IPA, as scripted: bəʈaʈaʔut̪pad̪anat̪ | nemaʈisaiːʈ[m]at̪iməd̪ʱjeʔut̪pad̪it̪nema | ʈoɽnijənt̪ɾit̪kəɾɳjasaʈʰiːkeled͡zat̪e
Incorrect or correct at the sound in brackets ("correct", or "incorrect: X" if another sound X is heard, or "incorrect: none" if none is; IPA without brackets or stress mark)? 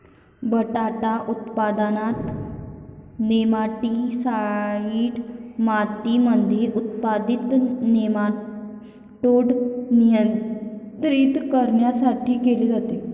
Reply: correct